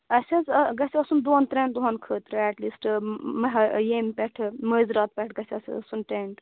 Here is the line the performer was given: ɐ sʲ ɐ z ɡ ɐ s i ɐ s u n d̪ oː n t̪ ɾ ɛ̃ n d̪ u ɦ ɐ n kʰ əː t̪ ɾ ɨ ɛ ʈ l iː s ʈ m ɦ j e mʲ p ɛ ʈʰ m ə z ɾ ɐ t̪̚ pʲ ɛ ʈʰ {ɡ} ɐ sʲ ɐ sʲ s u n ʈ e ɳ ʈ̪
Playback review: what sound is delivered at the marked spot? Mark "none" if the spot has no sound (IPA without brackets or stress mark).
ɡ